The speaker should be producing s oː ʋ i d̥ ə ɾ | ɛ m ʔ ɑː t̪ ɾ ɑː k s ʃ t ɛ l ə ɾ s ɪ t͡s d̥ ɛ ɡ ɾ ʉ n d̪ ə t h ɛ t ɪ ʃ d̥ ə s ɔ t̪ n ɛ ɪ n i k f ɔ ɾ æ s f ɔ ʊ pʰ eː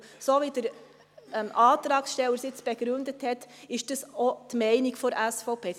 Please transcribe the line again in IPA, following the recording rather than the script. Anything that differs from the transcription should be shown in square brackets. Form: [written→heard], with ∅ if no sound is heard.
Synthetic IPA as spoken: s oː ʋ i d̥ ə ɾ | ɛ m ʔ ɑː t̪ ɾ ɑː k s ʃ t ɛ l ə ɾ s ɪ t͡s [d̥→b̥] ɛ ɡ ɾ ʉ n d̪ ə t h ɛ t ɪ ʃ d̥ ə s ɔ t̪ [n→m] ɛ ɪ n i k f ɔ ɾ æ s f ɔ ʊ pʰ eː